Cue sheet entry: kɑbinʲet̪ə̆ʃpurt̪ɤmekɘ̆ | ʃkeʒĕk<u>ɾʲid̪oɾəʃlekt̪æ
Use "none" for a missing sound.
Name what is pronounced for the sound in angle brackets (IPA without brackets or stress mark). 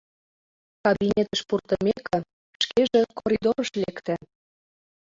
o